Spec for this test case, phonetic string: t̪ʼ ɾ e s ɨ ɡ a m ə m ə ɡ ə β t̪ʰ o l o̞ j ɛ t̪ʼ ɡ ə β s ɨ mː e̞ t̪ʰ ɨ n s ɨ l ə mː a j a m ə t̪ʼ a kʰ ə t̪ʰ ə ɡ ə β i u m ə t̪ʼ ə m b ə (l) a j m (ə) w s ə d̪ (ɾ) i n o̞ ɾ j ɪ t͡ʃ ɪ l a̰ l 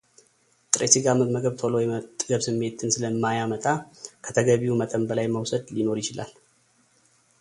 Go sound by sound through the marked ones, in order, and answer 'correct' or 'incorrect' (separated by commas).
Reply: correct, correct, incorrect